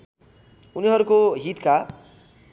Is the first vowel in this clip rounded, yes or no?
yes